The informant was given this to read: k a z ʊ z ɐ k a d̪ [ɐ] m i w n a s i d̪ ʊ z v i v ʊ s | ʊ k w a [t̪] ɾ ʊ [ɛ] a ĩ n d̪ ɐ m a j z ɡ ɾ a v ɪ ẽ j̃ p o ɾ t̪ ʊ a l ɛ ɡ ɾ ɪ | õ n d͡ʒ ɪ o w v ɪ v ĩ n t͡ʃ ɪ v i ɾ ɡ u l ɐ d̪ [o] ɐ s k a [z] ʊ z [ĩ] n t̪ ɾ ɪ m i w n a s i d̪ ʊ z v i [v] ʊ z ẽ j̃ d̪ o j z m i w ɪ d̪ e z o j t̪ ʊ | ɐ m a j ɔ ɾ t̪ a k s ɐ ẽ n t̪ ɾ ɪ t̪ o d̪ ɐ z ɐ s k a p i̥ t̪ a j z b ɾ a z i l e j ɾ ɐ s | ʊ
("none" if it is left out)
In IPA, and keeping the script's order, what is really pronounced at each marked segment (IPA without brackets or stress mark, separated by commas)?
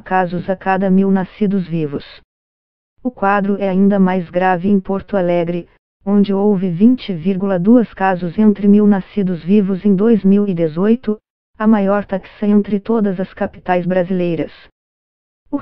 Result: ɐ, d̪, ɛ, u, z, ẽ, v